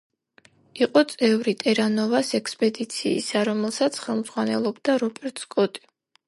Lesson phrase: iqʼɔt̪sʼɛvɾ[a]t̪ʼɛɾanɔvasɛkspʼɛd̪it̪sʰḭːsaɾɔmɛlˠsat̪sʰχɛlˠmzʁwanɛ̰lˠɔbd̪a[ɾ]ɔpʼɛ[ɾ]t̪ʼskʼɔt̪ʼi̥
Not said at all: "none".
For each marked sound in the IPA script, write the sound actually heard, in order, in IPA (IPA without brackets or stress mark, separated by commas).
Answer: i, ɾ, ɾ